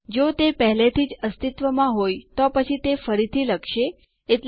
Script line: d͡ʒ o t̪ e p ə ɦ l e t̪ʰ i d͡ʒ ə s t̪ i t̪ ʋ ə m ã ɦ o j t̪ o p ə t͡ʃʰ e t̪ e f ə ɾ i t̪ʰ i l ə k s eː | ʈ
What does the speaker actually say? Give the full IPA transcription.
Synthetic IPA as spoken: d͡ʒ o t̪ e p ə ɦ l e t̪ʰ i d͡ʒ ə s t̪ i t̪ ʋ ə m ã ɦ o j t̪ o p ə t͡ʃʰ i t̪ e f ə ɾ i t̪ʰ i l ə k ʃ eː | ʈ